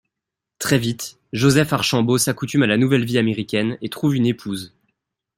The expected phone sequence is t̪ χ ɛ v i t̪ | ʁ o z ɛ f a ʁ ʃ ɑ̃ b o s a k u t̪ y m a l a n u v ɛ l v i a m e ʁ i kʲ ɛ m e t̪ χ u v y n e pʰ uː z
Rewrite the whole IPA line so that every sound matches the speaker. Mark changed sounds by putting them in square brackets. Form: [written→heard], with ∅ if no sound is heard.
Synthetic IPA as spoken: t̪ χ ɛ v i t̪ | [ʁ→ʒ] o z ɛ f a ʁ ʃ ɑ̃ b o s a k u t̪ y m a l a n u v ɛ l v i a m e ʁ i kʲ ɛ [m→n] e t̪ χ u v y n e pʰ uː z